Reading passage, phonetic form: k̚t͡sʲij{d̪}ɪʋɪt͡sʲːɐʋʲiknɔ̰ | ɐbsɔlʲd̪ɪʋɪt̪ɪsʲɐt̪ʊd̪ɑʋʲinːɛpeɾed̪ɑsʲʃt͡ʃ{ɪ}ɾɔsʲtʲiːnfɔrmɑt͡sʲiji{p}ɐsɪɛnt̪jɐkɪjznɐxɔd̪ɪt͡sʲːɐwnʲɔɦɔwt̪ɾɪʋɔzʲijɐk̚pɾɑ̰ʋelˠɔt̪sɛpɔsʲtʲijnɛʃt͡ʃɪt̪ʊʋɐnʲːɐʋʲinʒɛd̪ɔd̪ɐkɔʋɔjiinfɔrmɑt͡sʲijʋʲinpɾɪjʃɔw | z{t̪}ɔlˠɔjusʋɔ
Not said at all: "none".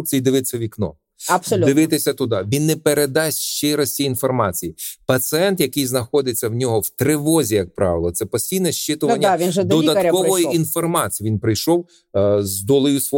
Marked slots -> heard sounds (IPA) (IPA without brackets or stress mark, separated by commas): d̪, ɪ, p, d̪